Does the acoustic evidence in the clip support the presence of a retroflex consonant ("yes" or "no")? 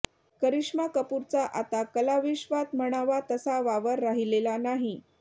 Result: yes